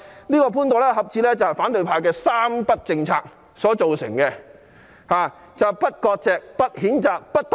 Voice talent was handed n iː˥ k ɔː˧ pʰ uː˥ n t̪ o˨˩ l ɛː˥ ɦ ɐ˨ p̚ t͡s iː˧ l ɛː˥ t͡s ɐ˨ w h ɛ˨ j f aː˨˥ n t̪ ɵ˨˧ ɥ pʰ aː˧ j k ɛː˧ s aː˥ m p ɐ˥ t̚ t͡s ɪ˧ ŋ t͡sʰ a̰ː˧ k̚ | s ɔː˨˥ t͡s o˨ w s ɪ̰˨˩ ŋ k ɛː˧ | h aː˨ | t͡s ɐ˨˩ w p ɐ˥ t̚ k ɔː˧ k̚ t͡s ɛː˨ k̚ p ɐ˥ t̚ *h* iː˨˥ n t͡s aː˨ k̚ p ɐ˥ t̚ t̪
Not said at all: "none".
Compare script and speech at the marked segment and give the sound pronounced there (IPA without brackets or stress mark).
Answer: h